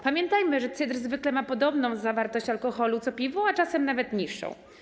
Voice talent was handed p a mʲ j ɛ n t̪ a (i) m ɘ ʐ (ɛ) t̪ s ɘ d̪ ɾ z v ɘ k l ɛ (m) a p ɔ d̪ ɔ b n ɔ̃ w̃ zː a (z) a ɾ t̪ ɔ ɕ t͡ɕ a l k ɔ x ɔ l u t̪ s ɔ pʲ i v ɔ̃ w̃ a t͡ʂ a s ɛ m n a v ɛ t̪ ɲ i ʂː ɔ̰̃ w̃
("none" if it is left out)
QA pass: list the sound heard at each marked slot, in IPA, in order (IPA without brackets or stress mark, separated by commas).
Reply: j, ɛ, m, v